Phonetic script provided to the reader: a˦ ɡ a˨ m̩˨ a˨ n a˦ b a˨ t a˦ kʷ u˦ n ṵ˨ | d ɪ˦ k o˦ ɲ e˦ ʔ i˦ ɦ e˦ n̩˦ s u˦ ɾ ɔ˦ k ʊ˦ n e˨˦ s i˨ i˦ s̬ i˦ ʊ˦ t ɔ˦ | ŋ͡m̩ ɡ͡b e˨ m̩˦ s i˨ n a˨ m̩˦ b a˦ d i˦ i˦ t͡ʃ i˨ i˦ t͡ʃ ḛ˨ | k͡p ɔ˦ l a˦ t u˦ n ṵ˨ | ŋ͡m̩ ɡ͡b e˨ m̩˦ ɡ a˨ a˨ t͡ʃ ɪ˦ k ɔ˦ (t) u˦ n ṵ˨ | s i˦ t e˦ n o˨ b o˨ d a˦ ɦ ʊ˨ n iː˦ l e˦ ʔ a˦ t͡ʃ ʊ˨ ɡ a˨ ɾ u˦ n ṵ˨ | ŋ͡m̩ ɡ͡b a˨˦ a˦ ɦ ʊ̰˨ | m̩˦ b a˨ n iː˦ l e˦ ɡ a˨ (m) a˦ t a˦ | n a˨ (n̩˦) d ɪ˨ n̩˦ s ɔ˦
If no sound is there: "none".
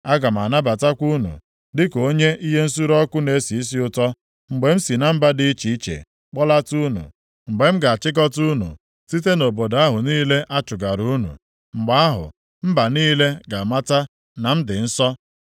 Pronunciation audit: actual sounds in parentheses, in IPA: t, m, m̩˦

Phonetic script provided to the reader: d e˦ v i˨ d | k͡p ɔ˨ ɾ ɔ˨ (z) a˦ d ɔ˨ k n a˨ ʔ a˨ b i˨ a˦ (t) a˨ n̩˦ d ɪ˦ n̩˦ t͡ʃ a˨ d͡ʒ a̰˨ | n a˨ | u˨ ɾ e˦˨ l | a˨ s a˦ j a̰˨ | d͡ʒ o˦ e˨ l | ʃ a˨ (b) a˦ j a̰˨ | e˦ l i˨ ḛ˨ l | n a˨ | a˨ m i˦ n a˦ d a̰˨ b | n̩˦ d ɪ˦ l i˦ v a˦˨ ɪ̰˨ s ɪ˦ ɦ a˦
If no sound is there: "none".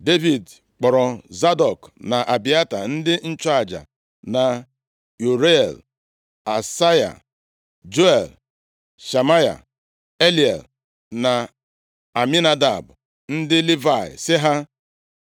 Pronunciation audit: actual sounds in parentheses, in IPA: z, t, m

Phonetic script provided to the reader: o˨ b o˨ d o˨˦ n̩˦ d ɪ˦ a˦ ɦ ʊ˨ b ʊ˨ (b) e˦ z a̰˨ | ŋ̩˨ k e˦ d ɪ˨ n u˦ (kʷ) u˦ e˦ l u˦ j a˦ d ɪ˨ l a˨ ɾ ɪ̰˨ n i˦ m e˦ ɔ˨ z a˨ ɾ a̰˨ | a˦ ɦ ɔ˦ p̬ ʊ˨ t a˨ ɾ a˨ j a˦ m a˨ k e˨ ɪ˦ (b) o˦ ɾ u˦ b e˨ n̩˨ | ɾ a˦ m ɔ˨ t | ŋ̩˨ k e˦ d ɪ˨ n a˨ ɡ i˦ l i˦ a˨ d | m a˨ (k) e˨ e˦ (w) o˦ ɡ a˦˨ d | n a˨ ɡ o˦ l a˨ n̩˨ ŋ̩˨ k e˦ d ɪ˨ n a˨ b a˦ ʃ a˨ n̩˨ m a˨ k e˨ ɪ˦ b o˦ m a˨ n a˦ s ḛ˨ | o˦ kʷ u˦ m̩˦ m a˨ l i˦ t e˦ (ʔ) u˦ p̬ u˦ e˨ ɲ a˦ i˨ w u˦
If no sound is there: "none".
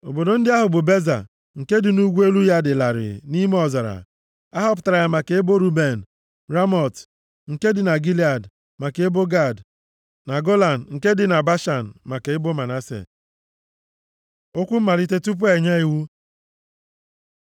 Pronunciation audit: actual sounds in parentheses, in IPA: b, ɡʷ, b, k, b, t

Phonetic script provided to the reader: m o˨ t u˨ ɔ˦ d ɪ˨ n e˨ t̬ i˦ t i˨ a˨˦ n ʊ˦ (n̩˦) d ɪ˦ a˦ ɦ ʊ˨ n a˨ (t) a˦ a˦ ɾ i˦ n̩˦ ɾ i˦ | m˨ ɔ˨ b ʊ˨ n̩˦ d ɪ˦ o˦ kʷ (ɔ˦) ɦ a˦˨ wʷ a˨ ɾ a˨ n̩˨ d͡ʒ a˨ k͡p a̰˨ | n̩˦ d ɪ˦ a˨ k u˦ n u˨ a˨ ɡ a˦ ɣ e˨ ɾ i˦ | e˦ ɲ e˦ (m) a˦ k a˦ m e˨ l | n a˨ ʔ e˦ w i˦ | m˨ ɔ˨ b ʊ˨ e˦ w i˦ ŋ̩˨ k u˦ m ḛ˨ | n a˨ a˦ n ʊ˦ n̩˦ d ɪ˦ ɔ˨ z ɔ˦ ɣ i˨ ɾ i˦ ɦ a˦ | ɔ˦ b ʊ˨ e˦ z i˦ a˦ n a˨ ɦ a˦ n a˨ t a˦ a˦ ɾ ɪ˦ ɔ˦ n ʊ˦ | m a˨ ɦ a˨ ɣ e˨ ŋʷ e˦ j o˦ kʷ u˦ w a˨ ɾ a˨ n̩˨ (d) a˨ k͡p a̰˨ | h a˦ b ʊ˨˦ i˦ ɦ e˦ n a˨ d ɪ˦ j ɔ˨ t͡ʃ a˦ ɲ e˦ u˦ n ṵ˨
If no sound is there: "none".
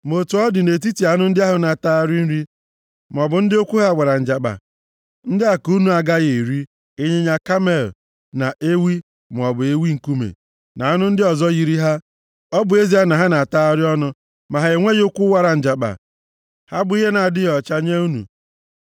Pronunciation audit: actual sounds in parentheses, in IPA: n̩˦, t, u˦, ɲ, d͡ʒ

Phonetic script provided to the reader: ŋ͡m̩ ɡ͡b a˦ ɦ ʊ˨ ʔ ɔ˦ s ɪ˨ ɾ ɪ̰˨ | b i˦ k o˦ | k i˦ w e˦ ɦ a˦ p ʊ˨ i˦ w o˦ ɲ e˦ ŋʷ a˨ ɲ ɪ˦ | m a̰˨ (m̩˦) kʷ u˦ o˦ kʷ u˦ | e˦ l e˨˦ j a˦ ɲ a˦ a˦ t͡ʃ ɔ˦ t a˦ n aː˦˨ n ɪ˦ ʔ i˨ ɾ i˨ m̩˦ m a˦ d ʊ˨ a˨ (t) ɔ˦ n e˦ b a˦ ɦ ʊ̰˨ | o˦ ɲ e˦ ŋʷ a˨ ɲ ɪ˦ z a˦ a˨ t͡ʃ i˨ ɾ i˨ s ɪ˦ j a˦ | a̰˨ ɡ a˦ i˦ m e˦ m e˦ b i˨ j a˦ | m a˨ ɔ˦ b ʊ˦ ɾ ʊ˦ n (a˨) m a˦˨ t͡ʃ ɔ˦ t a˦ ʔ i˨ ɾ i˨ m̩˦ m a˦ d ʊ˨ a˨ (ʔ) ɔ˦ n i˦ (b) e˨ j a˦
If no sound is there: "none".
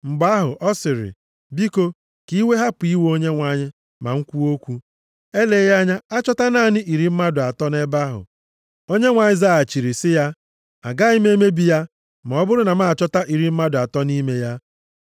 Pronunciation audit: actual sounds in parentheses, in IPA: ŋ̩˦, t, a˨, t, m

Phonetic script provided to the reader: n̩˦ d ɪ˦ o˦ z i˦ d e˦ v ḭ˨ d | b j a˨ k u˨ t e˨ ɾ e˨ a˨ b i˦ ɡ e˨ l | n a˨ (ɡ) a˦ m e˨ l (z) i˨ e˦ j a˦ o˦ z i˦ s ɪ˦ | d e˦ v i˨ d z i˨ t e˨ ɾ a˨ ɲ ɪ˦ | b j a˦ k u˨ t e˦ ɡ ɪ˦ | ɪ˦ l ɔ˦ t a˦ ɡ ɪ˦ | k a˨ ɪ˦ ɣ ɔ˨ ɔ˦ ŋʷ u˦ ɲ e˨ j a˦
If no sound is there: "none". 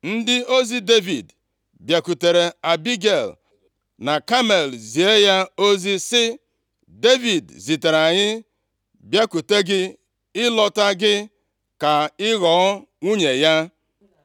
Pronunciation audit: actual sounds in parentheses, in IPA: k, z

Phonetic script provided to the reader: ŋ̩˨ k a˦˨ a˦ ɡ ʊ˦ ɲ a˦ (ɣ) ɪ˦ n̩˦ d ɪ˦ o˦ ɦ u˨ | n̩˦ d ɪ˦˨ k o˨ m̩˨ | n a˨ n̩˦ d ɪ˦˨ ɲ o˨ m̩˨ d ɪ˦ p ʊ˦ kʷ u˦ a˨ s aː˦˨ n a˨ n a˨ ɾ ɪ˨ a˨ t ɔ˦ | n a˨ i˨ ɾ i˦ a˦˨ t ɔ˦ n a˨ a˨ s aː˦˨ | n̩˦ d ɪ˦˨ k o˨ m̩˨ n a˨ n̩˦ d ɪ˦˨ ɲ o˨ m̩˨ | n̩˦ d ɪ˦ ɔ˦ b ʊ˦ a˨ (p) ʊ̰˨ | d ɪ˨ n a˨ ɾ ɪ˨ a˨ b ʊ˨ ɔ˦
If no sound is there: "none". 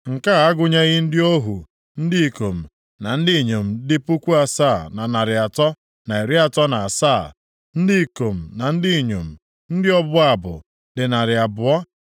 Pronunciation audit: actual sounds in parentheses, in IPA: ɣ, b

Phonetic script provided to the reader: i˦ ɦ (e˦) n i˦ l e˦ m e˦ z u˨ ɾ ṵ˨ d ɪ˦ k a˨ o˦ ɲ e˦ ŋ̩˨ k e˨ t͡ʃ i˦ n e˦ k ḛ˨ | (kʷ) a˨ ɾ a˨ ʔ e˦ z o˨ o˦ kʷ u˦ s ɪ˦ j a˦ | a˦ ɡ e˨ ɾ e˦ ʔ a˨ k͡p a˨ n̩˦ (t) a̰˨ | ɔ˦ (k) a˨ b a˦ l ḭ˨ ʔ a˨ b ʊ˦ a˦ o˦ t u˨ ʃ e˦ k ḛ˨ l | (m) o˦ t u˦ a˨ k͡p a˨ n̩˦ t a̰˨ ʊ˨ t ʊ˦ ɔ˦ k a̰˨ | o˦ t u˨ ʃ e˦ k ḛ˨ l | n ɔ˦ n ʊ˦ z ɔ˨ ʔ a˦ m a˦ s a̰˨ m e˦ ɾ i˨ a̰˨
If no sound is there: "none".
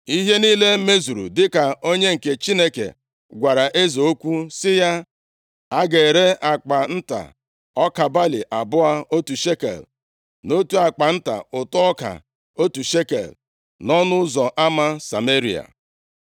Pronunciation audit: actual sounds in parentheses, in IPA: e˦, ɡʷ, t, k, n

